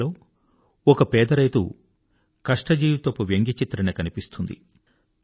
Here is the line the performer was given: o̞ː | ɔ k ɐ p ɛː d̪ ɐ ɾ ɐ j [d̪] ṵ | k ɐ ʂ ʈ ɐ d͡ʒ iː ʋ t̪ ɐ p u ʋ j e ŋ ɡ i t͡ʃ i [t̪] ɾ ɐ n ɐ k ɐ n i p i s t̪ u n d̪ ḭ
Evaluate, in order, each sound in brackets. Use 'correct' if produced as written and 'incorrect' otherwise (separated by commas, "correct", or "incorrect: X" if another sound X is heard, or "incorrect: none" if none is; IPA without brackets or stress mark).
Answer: incorrect: t̪, correct